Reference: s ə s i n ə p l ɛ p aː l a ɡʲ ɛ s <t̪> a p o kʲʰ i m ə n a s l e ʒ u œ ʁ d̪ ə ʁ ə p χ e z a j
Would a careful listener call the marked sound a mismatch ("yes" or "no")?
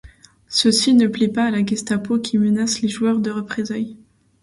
no